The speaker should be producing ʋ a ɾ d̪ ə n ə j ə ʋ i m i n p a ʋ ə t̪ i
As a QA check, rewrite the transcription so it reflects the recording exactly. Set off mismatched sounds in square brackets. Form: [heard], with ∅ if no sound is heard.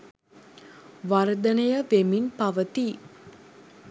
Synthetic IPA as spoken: ʋ a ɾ d̪ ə n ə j ə ʋ [e] m i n p a ʋ ə t̪ i